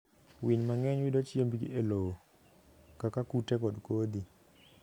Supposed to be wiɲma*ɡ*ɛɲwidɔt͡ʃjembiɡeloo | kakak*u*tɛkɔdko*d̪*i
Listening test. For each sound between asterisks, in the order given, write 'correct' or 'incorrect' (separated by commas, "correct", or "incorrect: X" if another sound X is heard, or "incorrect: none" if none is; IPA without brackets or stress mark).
incorrect: ŋ, correct, correct